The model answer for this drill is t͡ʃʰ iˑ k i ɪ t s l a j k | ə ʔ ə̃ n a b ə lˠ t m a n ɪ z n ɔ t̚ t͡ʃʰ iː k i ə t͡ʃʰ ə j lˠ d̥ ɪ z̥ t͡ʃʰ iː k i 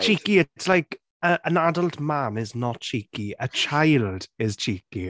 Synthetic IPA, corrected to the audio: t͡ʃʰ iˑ k i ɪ t s l a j k | ə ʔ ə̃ n a d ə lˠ t m a n ɪ z n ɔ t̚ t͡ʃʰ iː k i ə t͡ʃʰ a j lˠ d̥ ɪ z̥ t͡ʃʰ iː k i